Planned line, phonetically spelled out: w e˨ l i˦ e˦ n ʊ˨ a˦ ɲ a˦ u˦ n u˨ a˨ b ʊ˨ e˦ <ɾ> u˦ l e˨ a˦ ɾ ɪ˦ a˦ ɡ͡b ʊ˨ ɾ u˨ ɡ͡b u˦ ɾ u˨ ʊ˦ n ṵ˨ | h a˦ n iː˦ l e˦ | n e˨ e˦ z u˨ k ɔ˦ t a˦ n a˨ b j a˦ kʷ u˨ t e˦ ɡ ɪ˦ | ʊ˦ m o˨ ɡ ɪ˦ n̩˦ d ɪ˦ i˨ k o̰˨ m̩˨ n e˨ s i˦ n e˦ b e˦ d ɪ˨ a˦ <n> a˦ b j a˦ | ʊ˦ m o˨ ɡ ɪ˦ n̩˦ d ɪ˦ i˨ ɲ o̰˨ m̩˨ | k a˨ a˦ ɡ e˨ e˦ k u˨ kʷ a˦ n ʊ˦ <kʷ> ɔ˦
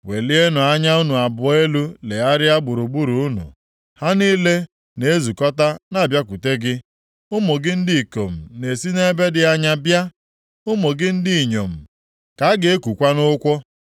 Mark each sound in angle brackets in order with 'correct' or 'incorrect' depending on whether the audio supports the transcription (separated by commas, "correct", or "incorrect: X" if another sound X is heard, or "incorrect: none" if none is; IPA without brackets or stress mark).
incorrect: l, incorrect: ɲ, correct